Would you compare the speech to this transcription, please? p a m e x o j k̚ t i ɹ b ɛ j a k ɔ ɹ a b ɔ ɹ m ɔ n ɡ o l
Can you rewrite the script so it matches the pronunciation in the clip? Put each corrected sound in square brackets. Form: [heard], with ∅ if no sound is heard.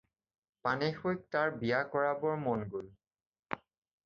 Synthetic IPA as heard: p a [n] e x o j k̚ t [a] ɹ b [i] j a k ɔ ɹ a b ɔ ɹ m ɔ n ɡ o l